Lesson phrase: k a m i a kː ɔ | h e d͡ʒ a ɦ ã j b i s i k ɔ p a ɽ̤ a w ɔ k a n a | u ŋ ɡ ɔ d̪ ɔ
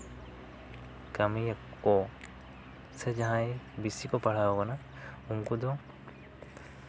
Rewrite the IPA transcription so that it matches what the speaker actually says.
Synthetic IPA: k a m i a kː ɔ | s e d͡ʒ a ɦ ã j b i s i k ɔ p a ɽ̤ a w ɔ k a n a | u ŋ k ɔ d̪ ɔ